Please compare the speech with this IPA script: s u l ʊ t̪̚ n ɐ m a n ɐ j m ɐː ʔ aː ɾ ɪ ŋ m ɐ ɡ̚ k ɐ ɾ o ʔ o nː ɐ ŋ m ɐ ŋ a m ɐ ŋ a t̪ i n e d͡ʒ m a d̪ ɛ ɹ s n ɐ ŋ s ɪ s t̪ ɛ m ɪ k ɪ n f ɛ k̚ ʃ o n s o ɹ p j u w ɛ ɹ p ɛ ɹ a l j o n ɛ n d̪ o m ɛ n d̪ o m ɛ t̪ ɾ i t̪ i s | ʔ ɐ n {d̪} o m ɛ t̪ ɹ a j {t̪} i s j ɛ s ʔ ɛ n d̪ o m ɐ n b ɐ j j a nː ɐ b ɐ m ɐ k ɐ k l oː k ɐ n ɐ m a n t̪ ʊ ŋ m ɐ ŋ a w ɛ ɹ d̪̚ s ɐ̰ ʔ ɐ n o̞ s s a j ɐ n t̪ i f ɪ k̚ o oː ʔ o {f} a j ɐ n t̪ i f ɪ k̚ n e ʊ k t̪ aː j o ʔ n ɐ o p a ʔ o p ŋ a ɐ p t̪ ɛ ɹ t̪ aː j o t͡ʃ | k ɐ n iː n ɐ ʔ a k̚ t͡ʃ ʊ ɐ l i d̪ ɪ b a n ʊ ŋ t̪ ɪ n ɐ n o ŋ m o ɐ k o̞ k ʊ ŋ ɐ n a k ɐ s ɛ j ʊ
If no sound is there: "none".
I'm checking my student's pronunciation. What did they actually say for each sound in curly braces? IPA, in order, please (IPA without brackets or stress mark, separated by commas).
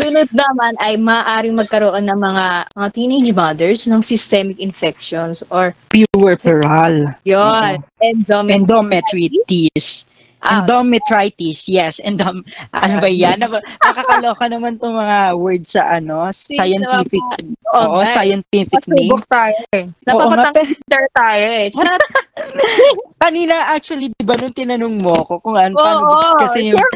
d̪, t̪, s